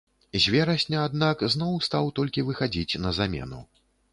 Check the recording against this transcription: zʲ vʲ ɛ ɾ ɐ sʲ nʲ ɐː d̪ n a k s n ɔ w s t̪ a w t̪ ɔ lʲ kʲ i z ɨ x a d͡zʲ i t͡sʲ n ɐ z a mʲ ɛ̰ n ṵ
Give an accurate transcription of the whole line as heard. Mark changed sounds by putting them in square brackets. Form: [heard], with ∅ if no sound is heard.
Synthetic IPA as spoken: zʲ vʲ ɛ ɾ ɐ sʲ nʲ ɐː d̪ n a k [z] n ɔ w s t̪ a w t̪ ɔ lʲ kʲ i [v] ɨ x a d͡zʲ i t͡sʲ n ɐ z a mʲ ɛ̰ n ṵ